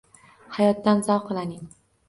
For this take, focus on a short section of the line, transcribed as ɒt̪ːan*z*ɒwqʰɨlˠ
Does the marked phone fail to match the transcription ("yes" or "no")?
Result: no